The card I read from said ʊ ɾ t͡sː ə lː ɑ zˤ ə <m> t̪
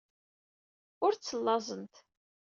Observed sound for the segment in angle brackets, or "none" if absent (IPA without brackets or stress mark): n